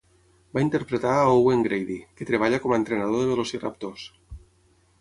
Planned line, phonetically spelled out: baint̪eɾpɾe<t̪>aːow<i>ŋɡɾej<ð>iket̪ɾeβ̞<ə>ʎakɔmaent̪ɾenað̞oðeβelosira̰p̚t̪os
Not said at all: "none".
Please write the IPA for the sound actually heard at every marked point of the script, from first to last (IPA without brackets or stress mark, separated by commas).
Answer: t̪, e, ð, a